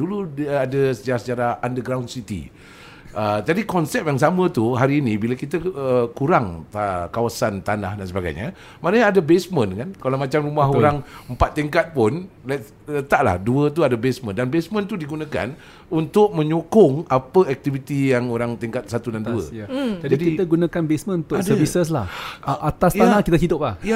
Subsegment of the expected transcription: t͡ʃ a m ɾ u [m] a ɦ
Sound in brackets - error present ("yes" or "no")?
no